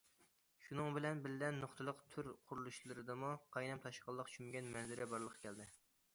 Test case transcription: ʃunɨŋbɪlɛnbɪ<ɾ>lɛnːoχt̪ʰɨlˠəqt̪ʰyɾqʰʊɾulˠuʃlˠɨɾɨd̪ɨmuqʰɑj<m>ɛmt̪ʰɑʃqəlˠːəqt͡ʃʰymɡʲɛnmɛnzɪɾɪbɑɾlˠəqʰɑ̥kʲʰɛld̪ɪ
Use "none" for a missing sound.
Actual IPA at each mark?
l, n

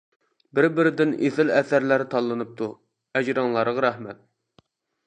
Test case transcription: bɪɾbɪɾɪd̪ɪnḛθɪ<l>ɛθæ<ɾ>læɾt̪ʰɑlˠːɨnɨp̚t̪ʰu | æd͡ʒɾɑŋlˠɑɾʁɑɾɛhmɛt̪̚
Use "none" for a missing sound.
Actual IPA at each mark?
l, ɾ

